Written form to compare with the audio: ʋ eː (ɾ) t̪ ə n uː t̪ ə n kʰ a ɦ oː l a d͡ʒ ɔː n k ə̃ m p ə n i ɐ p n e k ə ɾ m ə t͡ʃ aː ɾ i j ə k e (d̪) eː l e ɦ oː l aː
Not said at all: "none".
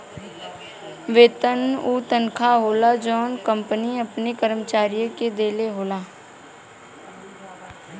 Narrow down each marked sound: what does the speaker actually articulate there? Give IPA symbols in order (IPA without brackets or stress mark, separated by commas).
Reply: none, d̪